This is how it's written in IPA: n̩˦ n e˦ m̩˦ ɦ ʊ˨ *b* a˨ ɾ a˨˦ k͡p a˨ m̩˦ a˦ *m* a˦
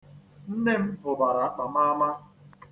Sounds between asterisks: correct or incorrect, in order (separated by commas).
correct, correct